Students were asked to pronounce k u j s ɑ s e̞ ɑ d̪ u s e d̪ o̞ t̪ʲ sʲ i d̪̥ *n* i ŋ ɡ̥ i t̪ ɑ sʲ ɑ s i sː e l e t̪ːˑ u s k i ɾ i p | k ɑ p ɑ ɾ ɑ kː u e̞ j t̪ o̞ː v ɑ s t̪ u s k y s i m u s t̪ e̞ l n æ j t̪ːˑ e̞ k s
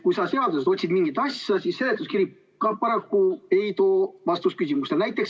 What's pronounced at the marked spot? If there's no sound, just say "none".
m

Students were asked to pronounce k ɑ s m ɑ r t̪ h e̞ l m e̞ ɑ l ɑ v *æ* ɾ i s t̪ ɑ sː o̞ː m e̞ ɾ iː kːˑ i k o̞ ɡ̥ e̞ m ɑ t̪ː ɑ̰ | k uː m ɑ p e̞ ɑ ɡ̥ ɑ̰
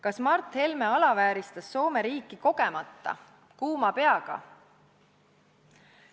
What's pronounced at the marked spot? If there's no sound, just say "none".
æː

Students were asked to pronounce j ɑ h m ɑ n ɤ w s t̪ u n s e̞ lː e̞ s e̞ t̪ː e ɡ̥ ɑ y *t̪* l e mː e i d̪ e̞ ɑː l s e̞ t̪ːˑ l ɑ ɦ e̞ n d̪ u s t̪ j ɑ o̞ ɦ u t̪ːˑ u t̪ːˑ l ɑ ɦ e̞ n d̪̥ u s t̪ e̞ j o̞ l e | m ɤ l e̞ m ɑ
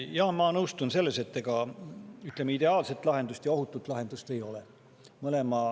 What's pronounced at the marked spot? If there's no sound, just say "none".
t̪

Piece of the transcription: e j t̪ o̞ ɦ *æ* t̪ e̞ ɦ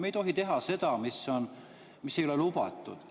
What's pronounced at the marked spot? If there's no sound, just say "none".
i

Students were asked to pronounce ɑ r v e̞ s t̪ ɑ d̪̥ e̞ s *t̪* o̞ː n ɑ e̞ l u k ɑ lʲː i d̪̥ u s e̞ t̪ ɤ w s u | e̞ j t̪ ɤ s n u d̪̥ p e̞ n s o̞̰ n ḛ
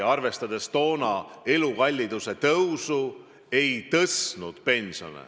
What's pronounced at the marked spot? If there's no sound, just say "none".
t̪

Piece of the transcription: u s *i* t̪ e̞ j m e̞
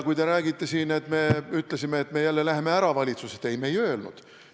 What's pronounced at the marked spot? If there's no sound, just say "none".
e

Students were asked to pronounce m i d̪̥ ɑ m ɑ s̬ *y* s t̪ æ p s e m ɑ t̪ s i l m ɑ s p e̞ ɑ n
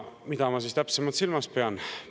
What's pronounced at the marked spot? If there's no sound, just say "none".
i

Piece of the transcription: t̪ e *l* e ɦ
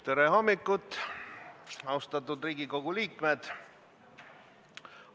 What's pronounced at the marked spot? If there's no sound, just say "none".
ɾ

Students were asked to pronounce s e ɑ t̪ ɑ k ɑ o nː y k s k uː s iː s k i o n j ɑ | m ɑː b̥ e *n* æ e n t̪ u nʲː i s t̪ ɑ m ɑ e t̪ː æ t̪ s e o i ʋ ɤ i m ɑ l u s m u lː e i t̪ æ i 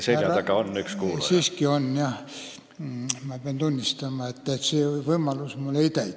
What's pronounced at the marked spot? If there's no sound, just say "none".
none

